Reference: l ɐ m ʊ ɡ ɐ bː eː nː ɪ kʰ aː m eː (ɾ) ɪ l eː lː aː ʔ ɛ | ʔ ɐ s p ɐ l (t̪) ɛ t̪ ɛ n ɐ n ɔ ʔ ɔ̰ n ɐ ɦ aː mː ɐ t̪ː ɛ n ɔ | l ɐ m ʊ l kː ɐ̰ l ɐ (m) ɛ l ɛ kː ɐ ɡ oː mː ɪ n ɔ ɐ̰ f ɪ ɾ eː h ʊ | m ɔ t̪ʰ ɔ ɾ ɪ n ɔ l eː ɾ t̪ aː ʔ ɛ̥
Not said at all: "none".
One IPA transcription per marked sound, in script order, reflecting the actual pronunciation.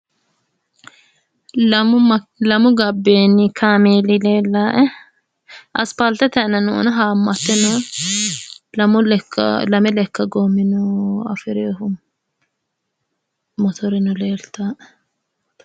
l, t̪, m

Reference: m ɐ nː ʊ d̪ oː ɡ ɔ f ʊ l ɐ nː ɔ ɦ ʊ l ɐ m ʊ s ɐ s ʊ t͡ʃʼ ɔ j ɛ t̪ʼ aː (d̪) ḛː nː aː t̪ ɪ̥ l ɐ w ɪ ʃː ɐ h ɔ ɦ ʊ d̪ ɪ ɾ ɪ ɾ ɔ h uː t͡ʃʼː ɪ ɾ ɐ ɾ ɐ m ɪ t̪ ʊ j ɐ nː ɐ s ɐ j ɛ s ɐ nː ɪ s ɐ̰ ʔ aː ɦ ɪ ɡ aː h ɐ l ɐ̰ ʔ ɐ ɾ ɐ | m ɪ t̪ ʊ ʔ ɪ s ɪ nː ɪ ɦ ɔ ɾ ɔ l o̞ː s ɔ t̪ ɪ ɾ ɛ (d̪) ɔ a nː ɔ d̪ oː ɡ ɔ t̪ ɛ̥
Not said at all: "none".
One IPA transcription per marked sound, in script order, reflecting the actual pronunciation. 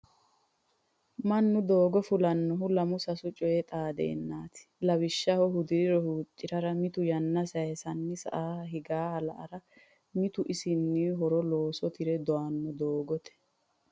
d̪, d̪

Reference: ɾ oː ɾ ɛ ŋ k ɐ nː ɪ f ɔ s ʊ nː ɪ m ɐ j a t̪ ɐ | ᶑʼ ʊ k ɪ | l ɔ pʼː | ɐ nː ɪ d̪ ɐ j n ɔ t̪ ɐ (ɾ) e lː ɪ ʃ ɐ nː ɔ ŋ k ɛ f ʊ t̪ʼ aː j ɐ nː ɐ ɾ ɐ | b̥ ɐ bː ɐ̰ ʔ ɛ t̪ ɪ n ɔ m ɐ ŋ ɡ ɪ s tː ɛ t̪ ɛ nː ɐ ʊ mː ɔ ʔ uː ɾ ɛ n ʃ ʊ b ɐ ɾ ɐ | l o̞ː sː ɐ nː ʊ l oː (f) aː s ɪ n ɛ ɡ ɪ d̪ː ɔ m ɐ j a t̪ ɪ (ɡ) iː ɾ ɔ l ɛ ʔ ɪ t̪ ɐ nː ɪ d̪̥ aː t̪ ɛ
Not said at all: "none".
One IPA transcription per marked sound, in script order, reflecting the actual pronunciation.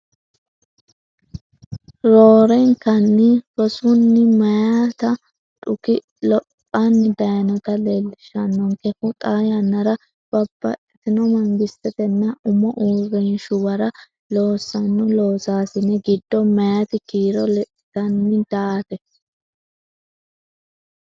l, s, k

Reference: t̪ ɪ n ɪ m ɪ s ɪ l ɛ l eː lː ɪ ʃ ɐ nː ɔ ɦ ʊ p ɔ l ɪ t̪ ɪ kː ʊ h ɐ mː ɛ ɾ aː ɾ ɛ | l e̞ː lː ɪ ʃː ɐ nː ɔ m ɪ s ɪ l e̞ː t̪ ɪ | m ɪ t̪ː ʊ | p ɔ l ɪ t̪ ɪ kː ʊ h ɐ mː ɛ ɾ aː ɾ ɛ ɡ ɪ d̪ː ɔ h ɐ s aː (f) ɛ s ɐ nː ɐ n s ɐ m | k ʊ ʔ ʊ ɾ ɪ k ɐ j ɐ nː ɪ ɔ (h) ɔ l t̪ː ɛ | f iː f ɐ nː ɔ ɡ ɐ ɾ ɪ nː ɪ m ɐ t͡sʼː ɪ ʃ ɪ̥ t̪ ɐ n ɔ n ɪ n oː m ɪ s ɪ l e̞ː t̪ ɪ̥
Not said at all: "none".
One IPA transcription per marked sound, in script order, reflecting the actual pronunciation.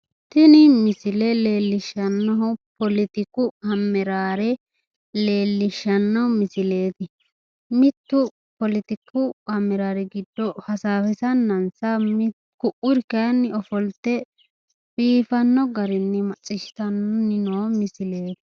f, f

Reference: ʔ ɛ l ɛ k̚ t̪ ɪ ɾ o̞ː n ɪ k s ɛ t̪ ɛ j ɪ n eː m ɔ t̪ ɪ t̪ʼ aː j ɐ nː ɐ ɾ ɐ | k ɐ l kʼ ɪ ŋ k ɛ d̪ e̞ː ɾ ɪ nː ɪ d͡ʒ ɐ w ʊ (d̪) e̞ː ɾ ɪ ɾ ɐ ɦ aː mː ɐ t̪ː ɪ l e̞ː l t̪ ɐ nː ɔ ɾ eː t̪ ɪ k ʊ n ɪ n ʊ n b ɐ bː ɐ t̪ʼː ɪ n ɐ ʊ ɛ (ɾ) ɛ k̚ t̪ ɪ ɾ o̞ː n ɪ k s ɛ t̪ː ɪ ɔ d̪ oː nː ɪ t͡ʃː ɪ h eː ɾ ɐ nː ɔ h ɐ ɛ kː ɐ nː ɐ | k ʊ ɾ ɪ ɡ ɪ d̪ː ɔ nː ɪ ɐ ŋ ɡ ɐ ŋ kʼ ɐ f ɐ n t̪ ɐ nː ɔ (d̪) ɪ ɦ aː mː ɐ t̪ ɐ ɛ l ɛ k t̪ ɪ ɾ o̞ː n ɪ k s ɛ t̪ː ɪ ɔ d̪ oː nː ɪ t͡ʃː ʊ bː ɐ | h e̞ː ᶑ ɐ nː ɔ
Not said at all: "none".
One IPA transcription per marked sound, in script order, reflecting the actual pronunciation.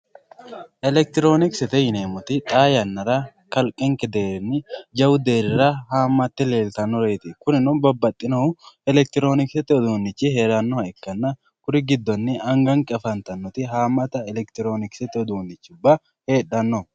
d̪, l, t̪

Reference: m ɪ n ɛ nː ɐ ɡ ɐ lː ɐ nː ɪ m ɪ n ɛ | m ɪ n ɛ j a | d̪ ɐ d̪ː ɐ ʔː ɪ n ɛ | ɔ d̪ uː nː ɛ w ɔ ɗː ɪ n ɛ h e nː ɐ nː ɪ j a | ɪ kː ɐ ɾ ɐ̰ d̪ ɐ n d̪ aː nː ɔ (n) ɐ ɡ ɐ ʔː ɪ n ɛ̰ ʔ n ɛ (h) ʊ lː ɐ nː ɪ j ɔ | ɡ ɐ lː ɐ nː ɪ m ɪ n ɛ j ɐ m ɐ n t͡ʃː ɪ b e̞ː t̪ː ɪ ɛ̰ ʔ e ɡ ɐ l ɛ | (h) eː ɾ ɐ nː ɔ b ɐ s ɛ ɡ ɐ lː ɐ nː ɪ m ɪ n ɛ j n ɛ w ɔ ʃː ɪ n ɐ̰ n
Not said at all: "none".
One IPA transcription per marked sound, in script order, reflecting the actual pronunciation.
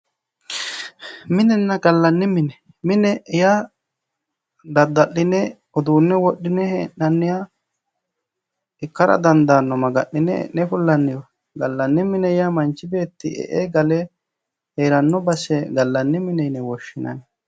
m, f, h

